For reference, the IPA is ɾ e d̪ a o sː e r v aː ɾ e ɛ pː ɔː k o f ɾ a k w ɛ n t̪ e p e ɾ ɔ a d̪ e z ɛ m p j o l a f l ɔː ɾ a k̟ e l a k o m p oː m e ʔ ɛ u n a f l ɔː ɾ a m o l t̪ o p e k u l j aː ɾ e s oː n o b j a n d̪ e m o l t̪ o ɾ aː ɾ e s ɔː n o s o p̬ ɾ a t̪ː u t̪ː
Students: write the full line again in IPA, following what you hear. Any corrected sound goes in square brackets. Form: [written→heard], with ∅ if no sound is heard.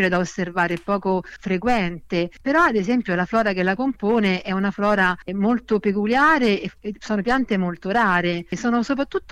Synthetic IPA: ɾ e d̪ a o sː e r v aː ɾ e ɛ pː ɔː k o f ɾ [a→e] k w ɛ n t̪ e p e ɾ ɔ a d̪ e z ɛ m p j o l a f l ɔː ɾ a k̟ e l a k o m p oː [m→n] e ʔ ɛ u n a f l ɔː ɾ a m o l t̪ o p e k u l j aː ɾ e s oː n o [b→p] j a n [d̪→t̪] e m o l t̪ o ɾ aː ɾ e s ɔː n o s o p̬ ɾ a t̪ː u t̪ː